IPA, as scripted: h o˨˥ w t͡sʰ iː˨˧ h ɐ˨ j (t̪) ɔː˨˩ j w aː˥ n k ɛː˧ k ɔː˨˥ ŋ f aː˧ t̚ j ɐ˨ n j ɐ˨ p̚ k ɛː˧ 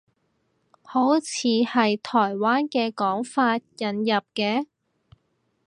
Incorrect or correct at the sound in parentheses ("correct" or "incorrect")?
incorrect